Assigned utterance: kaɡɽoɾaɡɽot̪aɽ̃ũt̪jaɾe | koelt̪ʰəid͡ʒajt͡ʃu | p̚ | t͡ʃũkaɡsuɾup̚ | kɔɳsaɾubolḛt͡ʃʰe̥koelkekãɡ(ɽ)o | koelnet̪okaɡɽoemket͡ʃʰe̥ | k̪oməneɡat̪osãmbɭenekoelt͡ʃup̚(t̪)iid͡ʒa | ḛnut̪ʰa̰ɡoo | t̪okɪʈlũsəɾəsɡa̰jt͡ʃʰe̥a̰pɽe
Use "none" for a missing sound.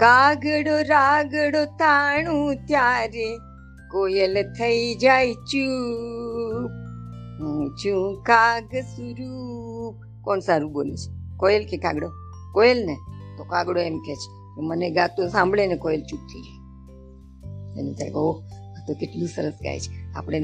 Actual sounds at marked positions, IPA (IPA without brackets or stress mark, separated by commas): ɽ, t̪ʰ